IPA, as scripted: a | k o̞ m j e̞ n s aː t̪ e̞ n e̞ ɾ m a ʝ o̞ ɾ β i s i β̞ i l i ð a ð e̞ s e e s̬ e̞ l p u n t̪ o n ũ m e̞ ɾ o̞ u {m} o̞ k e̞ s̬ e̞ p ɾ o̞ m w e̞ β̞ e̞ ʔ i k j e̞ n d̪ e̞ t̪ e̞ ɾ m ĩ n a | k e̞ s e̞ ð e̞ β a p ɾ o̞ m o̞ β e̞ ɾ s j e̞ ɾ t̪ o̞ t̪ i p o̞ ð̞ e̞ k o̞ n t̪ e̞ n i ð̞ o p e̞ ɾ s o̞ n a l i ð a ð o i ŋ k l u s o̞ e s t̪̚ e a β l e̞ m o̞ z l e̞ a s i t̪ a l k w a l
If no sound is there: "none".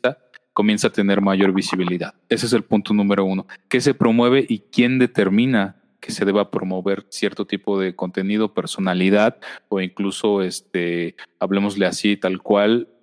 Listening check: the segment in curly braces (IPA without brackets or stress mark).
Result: n